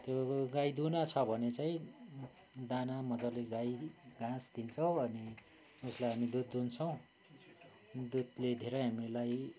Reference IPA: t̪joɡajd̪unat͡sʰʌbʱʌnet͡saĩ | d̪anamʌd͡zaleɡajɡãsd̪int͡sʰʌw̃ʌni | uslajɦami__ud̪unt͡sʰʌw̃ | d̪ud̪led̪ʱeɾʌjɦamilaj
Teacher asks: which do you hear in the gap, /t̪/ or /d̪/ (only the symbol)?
d̪